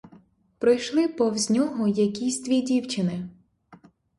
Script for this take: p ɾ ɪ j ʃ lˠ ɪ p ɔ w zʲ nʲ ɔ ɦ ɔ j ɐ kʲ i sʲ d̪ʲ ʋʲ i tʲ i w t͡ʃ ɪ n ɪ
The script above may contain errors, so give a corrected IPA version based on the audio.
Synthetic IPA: p ɾ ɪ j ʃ lˠ ɪ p ɔ w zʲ nʲ ɔ ɦ ɔ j ɐ kʲ i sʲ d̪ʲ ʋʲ i dʲ i w t͡ʃ ɪ n ɪ